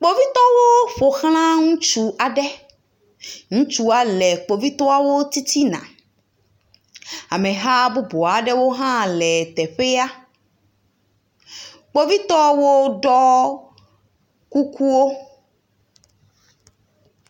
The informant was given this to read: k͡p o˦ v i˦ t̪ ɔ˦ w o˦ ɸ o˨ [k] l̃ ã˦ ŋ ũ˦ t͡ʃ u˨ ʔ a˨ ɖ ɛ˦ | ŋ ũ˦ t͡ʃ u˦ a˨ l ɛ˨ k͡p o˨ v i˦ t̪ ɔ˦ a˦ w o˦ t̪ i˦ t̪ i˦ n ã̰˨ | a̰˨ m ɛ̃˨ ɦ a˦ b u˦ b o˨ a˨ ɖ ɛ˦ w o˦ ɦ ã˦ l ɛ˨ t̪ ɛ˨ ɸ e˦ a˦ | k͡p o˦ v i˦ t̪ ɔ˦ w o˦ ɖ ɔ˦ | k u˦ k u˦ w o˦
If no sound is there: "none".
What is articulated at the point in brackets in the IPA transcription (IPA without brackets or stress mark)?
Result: x